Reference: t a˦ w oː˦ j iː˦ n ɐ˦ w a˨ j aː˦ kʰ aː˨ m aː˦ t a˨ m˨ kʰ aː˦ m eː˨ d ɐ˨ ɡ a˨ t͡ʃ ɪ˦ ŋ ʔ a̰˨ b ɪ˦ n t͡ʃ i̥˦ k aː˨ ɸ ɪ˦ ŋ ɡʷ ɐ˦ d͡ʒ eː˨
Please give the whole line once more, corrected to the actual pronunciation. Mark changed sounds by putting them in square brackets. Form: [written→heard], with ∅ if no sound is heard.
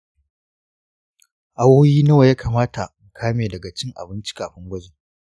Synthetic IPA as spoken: [t→ʔ] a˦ w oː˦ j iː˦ n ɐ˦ w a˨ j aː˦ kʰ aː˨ m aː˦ t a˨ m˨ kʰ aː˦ m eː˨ d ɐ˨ ɡ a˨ t͡ʃ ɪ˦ ŋ ʔ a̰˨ b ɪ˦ n t͡ʃ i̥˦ k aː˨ ɸ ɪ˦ ŋ ɡʷ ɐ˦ d͡ʒ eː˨